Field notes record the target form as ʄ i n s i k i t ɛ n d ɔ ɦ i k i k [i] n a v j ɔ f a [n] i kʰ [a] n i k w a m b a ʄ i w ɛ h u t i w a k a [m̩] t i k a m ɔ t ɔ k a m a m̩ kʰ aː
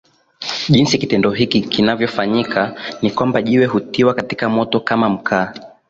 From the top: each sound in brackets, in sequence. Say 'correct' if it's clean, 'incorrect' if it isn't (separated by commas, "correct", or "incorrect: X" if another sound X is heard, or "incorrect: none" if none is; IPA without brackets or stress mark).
correct, incorrect: ɲ, correct, incorrect: none